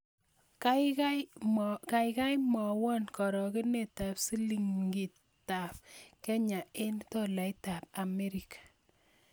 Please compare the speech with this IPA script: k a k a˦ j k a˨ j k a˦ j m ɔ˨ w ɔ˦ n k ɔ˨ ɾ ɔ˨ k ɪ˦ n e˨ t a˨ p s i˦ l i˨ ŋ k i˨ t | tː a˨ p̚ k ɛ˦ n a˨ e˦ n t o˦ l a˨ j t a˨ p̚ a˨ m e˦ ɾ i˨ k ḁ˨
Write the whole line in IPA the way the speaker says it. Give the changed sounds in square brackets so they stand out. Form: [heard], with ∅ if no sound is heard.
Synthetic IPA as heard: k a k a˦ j k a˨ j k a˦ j m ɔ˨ w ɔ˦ n k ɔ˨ ɾ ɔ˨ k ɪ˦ n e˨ t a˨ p s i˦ l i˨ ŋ [ɡ] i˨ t | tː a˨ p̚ k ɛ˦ [ɲ] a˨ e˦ n t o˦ l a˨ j t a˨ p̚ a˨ m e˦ ɾ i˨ k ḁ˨

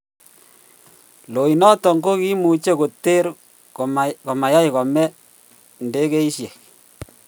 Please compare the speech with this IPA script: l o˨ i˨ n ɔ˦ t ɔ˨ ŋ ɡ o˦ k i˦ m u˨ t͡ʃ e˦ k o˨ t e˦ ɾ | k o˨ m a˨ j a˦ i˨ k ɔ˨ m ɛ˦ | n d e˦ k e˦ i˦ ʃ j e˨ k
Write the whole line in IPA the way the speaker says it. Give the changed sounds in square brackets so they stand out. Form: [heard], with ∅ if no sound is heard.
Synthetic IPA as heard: l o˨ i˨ n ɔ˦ t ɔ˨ ŋ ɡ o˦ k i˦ m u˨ t͡ʃ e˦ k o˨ t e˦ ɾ | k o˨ m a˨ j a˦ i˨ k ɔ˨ m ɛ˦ | n d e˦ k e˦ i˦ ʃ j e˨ k

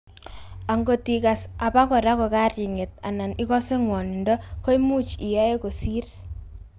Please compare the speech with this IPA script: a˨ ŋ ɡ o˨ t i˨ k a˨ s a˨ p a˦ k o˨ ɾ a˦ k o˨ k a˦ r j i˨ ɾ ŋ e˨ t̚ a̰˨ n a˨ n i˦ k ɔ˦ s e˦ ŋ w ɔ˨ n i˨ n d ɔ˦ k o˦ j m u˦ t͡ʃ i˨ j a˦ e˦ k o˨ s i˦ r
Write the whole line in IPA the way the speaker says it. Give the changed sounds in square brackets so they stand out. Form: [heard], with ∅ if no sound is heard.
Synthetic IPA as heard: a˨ ŋ ɡ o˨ t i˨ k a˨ s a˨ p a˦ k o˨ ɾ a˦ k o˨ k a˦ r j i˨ [∅] ŋ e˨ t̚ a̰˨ n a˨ n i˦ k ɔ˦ s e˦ ŋ w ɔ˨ n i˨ n d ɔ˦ k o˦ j m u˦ t͡ʃ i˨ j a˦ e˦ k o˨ s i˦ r

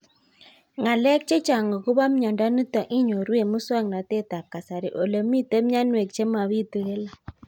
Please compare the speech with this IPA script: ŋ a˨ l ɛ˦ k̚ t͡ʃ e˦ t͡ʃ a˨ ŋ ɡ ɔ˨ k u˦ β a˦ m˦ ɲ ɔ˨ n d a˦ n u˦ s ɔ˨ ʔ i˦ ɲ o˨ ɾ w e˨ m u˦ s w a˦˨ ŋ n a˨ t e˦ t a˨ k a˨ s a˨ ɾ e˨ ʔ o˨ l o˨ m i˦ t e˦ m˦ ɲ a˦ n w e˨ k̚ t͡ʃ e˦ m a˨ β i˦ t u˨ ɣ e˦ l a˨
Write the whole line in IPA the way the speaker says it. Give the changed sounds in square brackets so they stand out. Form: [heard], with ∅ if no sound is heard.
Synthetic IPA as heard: ŋ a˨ l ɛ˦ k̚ t͡ʃ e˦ t͡ʃ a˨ ŋ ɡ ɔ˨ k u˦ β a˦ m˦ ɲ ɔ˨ n d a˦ n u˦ [t] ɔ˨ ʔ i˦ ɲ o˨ ɾ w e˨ m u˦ s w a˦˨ ŋ n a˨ t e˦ t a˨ k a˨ s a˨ ɾ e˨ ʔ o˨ l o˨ m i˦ t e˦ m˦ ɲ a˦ n w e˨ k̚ t͡ʃ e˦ m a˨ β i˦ t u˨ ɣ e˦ l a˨

